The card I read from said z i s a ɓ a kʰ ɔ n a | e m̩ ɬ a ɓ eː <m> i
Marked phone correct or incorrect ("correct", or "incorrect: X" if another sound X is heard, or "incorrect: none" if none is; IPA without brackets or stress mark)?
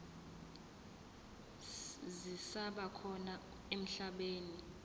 incorrect: n